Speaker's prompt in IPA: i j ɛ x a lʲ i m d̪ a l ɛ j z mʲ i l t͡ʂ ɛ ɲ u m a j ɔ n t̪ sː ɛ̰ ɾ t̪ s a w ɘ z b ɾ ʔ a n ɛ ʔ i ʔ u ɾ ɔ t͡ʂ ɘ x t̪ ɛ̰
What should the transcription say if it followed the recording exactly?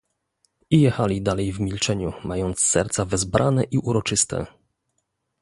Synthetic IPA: i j ɛ x a lʲ i d̪ a l ɛ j v mʲ i l t͡ʂ ɛ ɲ u m a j ɔ n t̪ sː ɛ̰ ɾ t̪ s a v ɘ z b ɾ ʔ a n ɛ ʔ i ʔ u ɾ ɔ t͡ʂ ɘ s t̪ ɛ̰

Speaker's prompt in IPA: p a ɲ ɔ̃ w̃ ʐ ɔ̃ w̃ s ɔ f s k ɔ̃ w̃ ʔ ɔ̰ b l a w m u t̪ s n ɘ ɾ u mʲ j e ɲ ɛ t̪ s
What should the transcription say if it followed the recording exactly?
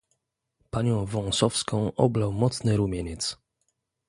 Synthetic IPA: p a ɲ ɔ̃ w̃ v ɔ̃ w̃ s ɔ f s k ɔ̃ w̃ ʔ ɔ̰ b l a w m ɔ t̪ s n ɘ ɾ u mʲ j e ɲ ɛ t̪ s

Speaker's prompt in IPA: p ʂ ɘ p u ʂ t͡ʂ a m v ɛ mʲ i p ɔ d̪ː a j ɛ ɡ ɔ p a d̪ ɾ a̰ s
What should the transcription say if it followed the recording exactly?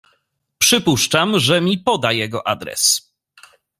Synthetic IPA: p ʂ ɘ p u ʂ t͡ʂ a m ʐ ɛ mʲ i p ɔ d̪ a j ɛ ɡ ɔ ʔ a d̪ ɾ ɛ̰ s

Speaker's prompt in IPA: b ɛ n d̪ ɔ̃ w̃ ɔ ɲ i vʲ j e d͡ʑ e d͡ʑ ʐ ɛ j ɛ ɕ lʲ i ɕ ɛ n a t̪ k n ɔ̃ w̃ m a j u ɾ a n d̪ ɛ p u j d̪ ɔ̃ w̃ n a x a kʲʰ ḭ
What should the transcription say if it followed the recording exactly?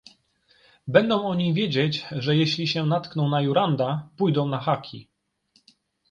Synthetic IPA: b ɛ n d̪ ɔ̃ w̃ ɔ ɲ i vʲ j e d͡ʑ e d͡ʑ ʐ ɛ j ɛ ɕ lʲ i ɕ ɛ n a t̪ k n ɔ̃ w̃ n a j u ɾ a n d̪ a p u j d̪ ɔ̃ w̃ n a x a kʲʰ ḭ

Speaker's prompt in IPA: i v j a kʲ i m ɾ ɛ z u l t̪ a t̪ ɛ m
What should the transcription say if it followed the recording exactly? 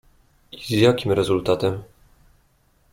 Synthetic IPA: i z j a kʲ i m ɾ ɛ z u l t̪ a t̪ ɛ m

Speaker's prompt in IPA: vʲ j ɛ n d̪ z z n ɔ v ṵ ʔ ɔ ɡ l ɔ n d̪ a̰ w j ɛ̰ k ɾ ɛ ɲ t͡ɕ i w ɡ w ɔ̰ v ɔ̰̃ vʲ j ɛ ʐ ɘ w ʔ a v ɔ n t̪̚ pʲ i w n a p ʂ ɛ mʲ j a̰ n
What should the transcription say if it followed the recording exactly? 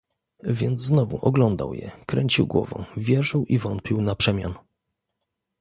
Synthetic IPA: vʲ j ɛ n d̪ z z n ɔ v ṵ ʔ ɔ ɡ l ɔ n d̪ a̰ w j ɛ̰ k ɾ ɛ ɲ t͡ɕ i w ɡ w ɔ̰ v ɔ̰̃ vʲ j ɛ ʐ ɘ w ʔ i v ɔ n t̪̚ pʲ i w n a p ʂ ɛ mʲ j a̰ n

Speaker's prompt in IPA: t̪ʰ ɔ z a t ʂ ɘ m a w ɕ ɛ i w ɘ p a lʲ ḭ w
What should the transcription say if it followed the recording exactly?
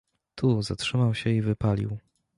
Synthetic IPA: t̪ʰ u z a t ʂ ɘ m a w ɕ ɛ i v ɘ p a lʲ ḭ w

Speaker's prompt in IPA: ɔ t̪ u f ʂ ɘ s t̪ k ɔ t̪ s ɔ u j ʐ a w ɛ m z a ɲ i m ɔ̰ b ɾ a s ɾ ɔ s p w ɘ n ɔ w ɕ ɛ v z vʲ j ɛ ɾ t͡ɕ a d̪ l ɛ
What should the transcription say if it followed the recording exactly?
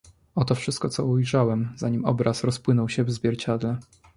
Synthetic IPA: ɔ t̪ ɔ f ʂ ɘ s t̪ k ɔ t̪ s ɔ u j ʐ a w ɛ m z a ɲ i m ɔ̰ b ɾ a s ɾ ɔ s p w ɘ n ɔ w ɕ ɛ v z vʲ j ɛ ɾ t͡ɕ a d̪ l ɛ

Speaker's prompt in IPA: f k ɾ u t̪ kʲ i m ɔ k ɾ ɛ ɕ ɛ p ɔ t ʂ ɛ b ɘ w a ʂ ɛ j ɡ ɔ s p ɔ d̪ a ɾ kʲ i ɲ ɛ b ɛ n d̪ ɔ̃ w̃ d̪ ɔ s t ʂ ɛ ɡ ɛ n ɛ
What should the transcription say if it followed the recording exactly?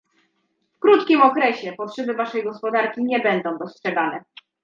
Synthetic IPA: f k ɾ u t̪ kʲ i m ɔ k ɾ ɛ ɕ ɛ p ɔ t ʂ ɛ b ɘ v a ʂ ɛ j ɡ ɔ s p ɔ d̪ a ɾ kʲ i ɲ ɛ b ɛ n d̪ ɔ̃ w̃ d̪ ɔ s t ʂ ɛ ɡ a n ɛ

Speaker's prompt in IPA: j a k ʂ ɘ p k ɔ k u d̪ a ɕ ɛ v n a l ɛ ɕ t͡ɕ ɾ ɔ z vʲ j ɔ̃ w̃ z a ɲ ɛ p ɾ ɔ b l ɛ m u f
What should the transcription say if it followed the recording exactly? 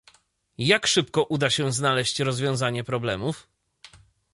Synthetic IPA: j a k ʂ ɘ p k ɔ ʔ u d̪ a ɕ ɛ z n a l ɛ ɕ t͡ɕ ɾ ɔ z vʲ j ɔ̃ w̃ z a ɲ ɛ p ɾ ɔ b l ɛ m u f

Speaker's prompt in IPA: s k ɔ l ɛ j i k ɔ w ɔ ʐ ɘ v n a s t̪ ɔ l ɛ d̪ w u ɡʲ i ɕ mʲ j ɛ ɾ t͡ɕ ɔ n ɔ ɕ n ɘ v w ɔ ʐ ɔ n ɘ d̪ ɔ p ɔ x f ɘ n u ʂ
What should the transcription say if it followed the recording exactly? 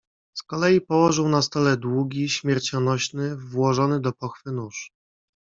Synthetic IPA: s k ɔ l ɛ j i p ɔ w ɔ ʐ ɘ w n a s t̪ ɔ l ɛ d̪ w u ɡʲ i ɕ mʲ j ɛ ɾ t͡ɕ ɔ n ɔ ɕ n ɘ v w ɔ ʐ ɔ n ɘ d̪ ɔ p ɔ x f ɘ n u ʂ

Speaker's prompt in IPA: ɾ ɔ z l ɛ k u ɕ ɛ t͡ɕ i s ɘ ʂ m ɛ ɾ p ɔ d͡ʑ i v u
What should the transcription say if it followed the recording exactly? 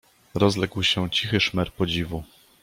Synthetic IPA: ɾ ɔ z l ɛ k w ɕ ɛ t͡ɕ i x ɘ ʂ m ɛ ɾ p ɔ d͡ʑ i v u

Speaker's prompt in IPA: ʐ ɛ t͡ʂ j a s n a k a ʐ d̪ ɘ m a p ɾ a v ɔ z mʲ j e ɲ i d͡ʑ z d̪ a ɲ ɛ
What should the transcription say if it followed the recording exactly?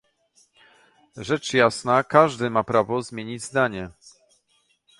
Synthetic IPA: ʐ ɛ t͡ʂ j a s n a k a ʐ d̪ ɘ m a p ɾ a v ɔ z mʲ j e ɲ i d͡ʑ z d̪ a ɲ ɛ

